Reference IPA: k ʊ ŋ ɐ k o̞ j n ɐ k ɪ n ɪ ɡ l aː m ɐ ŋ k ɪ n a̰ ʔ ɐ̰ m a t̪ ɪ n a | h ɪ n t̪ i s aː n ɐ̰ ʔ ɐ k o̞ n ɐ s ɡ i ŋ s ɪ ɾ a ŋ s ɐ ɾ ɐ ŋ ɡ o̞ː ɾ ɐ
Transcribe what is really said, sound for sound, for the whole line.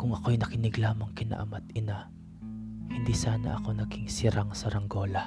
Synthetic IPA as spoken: k ʊ ŋ ɐ k o̞ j n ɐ k ɪ n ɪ ɡ l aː m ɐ ŋ k ɪ n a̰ ʔ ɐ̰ m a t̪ ɪ n a | h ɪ n d̪ i s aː n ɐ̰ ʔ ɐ k o̞ n ɐ ɡ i ŋ s ɪ ɾ a ŋ s ɐ ɾ ɐ ŋ ɡ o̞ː l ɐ